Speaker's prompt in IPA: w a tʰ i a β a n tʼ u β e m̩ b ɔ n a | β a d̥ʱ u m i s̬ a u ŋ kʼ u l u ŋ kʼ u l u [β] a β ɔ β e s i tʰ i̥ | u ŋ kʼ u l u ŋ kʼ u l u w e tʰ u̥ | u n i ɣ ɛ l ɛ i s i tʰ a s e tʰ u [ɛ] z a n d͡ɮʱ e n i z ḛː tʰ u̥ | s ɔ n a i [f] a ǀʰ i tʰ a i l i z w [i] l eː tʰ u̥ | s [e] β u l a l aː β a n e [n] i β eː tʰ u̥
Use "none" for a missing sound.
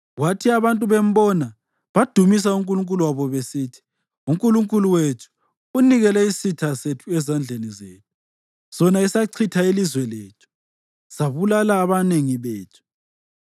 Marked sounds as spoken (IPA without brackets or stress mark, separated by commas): w, ɛ, s, ɛ, a, ŋ